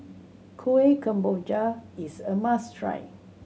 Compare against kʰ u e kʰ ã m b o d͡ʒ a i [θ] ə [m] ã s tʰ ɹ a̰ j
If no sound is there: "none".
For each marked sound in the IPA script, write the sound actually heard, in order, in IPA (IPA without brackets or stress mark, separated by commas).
s, m